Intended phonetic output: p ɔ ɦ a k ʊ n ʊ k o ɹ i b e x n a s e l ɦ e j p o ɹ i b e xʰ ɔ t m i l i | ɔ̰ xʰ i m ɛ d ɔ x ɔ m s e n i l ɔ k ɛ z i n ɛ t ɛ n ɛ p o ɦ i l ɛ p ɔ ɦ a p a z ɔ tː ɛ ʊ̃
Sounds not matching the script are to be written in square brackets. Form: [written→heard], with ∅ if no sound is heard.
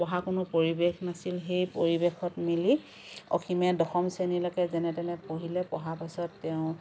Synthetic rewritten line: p ɔ ɦ a k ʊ n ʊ [k→p] o ɹ i b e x n a s [e→i] l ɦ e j p o ɹ i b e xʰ ɔ t m i l i | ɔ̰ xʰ i m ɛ d ɔ x ɔ m s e n i l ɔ k ɛ z [i→ɛ] n ɛ t ɛ n ɛ p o ɦ i l ɛ p ɔ ɦ a p a [z→s] ɔ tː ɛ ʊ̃